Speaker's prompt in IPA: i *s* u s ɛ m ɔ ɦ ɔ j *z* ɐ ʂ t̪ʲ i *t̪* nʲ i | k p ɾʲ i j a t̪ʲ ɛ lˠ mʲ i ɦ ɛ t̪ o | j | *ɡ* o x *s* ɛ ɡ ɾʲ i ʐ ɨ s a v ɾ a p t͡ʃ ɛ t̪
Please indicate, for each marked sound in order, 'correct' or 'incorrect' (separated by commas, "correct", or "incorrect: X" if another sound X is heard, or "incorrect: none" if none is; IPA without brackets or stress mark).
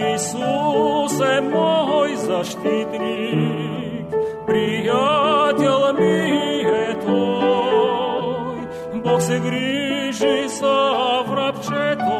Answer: correct, correct, correct, incorrect: b, correct